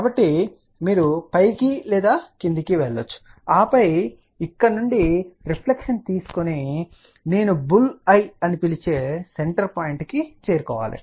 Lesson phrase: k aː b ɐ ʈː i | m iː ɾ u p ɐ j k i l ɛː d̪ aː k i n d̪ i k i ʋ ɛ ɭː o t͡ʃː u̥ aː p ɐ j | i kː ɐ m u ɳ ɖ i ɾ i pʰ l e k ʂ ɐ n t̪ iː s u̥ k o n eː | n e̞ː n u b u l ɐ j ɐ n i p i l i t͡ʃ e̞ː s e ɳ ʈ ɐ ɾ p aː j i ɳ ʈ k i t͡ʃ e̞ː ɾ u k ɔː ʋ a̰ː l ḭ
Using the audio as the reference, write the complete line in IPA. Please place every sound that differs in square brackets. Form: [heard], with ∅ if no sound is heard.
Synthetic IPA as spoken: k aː b ɐ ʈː i | m iː ɾ u p ɐ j k i l ɛː d̪ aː k i n d̪ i k i ʋ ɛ ɭː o t͡ʃː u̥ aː p ɐ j | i kː ɐ [n] u ɳ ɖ i ɾ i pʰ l e k ʂ ɐ n t̪ iː s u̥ k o n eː | n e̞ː n u b u l ɐ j ɐ n i p i l i t͡ʃ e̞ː s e ɳ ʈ ɐ ɾ p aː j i ɳ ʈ k i t͡ʃ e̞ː ɾ u k ɔː ʋ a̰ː l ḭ